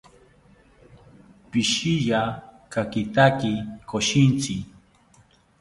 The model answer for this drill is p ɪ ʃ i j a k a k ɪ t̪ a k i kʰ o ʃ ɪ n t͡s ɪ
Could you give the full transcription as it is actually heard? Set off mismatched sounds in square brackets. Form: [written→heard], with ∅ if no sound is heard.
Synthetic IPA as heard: p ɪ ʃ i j a k a k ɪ t̪ a k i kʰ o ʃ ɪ n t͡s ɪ